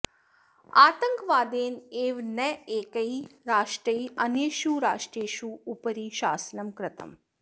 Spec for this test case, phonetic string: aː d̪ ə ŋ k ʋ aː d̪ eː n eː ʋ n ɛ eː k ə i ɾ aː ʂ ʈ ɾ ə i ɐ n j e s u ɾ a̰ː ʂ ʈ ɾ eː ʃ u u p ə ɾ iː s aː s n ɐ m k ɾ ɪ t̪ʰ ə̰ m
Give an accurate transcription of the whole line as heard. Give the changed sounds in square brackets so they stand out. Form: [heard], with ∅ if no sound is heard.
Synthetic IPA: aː [t̪] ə ŋ k ʋ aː d̪ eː n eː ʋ n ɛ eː k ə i ɾ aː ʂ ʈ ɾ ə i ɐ n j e [ʃ] u ɾ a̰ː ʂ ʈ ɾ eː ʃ u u p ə ɾ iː [ʃ] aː s n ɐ m k ɾ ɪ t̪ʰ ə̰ m